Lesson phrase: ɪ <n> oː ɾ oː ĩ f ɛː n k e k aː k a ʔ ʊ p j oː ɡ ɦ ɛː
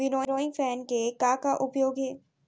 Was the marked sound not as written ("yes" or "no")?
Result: no